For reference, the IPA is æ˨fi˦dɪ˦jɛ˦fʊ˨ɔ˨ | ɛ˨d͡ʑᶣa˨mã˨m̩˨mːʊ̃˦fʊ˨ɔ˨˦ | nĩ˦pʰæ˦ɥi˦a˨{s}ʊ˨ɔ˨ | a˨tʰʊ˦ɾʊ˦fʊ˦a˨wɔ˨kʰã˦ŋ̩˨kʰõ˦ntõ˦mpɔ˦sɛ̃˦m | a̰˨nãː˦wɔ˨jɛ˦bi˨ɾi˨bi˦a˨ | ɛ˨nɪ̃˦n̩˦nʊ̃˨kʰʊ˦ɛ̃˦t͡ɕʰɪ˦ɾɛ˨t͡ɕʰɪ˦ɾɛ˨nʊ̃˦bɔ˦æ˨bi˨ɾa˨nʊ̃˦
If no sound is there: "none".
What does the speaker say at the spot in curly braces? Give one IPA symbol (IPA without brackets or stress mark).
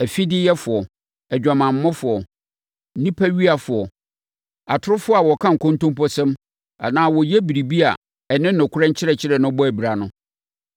f